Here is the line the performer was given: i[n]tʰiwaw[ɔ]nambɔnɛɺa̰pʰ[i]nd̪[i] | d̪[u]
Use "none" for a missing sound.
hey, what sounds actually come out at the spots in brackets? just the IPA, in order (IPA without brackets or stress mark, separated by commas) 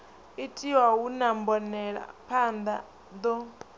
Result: none, u, a, a, ɔ